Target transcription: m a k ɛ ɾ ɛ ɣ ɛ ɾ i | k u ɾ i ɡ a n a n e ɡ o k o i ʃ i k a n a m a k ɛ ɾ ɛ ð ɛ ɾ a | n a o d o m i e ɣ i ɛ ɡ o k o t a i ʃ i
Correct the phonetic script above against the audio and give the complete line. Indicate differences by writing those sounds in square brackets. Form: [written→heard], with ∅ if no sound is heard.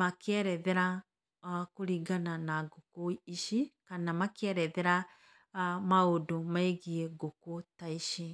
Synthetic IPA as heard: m a k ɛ ɾ ɛ [ɣ→ð] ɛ ɾ [i→a] | k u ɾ i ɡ a n a n [e→a] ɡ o k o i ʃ i k a n a m a k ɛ ɾ ɛ ð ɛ ɾ a | [n→m] a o d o m [i→a] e ɣ i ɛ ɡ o k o t a i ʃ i